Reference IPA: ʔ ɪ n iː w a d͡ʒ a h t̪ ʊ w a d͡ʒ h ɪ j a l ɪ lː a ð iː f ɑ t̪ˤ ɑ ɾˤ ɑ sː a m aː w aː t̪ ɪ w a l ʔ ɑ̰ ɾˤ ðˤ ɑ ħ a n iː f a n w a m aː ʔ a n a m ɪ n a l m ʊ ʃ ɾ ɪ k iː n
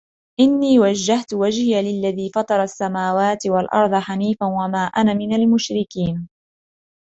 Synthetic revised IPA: ʔ ɪ nː iː w a d͡ʒː a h t̪ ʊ w a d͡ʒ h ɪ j a l ɪ lː a ð iː f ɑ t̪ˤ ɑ ɾˤ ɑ sː a m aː w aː t̪ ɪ w a l ʔ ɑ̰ ɾˤ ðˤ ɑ ħ a n iː f a n w a m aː ʔ a n a m ɪ n a l m ʊ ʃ ɾ ɪ k iː n